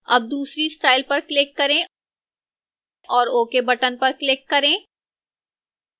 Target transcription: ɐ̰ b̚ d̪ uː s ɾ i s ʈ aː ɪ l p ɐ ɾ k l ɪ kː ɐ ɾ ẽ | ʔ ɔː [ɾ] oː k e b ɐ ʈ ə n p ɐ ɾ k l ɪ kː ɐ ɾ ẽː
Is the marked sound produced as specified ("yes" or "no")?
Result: yes